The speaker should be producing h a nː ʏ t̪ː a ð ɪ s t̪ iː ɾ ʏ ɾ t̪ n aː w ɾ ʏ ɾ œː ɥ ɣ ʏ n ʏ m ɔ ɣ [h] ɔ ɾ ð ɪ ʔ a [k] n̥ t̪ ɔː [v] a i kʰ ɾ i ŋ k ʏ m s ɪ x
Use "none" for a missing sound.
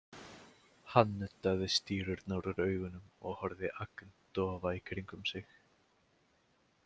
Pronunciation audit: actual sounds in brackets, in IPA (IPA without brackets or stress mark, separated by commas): h, k, v